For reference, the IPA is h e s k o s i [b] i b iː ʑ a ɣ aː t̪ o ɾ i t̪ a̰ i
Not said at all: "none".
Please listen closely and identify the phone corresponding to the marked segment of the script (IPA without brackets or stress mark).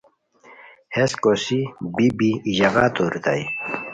b